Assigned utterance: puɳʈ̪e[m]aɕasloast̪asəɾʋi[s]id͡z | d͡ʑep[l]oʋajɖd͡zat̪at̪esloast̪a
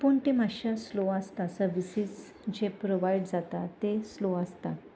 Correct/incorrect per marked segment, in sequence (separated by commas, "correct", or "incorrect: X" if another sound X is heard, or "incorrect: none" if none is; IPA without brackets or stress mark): correct, correct, incorrect: ɾ